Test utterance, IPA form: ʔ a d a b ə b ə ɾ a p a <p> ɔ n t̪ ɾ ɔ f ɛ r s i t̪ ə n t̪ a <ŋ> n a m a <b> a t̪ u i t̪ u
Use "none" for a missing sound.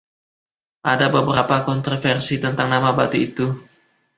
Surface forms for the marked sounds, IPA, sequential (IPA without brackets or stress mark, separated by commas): k, ŋ, b